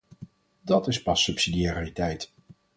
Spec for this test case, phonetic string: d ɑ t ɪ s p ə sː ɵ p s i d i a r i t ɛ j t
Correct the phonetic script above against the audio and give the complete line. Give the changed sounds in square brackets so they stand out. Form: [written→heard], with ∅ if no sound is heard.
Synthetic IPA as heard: d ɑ t ɪ s p [ə→ɑ] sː ɵ p s i d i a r i t ɛ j t